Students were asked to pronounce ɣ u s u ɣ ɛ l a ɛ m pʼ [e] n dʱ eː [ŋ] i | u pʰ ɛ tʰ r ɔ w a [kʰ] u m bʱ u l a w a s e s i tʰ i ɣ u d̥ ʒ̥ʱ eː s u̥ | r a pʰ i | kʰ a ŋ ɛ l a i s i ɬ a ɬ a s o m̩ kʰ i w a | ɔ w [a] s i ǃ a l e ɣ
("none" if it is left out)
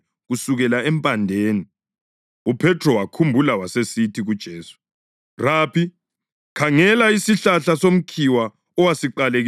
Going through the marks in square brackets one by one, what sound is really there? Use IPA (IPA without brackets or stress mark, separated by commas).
a, n, kʰ, a